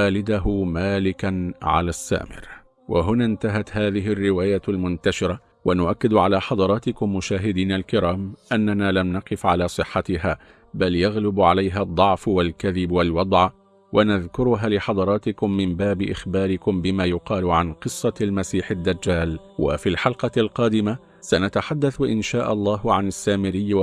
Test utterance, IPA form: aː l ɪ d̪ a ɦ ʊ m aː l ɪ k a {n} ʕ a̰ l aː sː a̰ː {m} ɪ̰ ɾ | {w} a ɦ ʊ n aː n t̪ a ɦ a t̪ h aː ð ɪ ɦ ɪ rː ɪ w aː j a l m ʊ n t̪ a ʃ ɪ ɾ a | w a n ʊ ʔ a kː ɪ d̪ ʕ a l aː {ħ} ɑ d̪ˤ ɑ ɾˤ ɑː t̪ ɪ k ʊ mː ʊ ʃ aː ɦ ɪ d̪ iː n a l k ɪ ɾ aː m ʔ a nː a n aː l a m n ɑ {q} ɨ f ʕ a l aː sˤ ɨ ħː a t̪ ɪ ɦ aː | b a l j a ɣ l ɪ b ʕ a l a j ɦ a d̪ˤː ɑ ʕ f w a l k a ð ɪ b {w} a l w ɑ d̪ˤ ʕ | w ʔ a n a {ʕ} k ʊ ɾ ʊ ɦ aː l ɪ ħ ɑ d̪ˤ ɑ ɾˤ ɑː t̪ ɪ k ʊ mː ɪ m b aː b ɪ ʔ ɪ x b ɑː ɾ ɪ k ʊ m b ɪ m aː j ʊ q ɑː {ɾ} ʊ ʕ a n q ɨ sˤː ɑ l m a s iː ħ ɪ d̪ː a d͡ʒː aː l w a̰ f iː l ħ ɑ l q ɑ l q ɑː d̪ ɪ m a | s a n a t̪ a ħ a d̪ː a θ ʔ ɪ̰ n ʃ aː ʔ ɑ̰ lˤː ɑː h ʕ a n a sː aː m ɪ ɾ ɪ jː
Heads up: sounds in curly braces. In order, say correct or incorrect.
correct, correct, correct, correct, correct, correct, incorrect: ð, incorrect: l

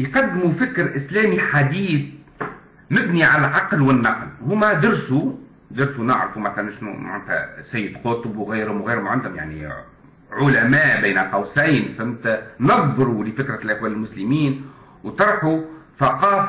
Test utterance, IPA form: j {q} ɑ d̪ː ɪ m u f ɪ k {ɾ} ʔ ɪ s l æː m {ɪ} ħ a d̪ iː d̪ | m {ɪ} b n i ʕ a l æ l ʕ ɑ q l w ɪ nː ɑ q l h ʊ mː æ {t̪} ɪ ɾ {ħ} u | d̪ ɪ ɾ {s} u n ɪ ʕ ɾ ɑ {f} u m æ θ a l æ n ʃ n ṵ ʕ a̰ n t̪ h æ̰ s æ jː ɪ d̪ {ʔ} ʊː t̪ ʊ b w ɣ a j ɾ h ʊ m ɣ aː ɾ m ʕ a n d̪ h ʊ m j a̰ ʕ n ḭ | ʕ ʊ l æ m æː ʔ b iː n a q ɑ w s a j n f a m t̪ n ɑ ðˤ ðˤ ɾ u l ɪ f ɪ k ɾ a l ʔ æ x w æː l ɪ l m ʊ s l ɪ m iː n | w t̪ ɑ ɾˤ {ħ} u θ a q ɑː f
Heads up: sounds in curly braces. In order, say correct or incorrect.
correct, correct, incorrect: i, correct, incorrect: d̪, incorrect: s, correct, correct, incorrect: q, correct

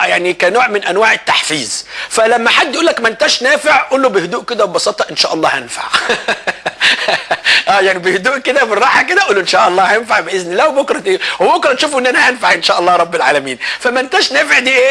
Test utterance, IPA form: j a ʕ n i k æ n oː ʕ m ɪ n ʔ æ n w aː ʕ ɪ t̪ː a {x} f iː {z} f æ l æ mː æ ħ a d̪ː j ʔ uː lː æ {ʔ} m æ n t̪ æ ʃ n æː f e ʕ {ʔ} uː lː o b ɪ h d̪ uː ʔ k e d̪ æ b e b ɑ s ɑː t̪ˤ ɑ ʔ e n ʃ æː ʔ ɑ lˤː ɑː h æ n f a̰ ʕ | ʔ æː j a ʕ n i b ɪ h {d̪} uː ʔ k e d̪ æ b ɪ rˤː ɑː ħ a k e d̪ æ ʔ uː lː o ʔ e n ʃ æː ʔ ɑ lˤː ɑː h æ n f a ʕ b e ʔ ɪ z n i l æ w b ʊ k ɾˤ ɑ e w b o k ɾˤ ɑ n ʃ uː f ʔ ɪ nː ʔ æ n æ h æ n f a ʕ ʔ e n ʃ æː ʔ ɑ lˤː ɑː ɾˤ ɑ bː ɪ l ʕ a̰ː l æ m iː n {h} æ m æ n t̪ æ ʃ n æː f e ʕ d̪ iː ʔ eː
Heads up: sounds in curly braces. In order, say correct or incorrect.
incorrect: ħ, correct, incorrect: k, correct, correct, incorrect: f

